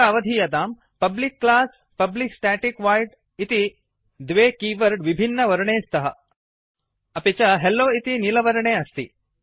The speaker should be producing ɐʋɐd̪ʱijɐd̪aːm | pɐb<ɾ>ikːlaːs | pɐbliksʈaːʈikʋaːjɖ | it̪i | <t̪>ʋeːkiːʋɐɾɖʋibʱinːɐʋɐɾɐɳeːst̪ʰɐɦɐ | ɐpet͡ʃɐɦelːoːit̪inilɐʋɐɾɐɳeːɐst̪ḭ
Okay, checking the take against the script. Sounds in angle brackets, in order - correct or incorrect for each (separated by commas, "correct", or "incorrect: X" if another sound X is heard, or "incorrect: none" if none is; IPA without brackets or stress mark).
incorrect: l, incorrect: d̪